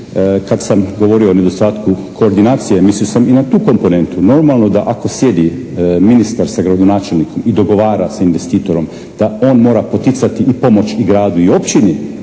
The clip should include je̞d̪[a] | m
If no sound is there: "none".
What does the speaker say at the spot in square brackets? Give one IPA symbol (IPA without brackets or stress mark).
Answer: i